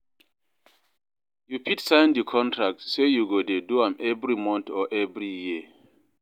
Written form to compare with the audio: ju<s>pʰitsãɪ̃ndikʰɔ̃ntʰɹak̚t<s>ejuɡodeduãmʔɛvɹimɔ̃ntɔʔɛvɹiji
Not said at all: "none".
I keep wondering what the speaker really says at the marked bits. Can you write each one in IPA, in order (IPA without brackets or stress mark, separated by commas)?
none, s